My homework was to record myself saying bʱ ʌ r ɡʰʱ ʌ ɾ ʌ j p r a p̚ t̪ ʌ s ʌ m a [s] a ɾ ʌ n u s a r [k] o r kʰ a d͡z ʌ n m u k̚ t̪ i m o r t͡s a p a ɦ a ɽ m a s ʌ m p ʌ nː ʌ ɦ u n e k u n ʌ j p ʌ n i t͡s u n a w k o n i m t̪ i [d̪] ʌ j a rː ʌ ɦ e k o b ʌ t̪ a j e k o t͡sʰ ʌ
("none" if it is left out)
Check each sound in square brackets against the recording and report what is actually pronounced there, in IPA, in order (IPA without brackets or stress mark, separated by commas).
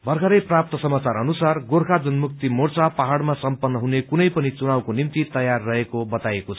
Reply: t͡s, ɡ, t̪